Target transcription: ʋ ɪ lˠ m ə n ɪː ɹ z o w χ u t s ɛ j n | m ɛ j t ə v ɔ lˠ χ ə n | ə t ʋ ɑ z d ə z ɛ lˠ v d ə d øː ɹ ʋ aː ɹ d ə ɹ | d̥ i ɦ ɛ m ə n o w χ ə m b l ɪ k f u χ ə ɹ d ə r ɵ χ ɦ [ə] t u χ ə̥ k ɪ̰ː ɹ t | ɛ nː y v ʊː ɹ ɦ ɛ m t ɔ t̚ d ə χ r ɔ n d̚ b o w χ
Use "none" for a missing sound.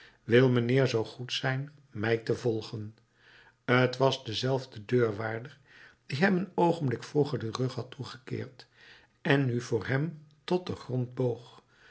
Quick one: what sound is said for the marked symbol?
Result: ɑ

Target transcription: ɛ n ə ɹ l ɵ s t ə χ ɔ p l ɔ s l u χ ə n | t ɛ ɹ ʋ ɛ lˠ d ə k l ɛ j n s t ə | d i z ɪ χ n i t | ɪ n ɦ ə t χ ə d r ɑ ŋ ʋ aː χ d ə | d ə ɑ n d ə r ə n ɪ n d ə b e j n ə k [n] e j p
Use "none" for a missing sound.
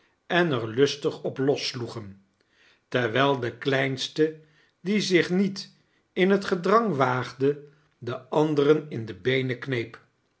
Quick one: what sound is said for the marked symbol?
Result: n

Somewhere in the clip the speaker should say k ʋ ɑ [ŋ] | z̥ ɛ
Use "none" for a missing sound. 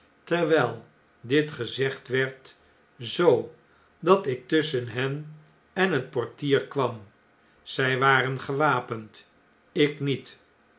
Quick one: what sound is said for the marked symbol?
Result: m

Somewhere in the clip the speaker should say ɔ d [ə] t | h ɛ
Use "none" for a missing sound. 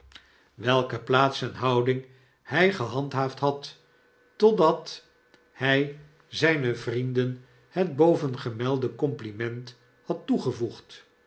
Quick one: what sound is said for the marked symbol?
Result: ɑ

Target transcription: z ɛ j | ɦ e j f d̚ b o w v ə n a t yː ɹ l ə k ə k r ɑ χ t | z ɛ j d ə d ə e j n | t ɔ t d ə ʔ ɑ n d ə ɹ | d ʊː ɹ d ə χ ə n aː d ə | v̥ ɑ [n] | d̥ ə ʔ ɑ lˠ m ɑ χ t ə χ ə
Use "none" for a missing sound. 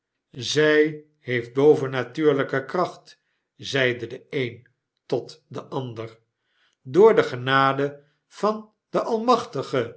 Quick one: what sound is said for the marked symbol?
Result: n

